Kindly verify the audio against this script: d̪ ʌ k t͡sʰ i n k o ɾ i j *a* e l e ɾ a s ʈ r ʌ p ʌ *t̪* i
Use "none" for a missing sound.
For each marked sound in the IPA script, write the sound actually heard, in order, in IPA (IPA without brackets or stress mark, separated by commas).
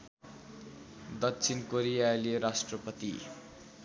a, t̪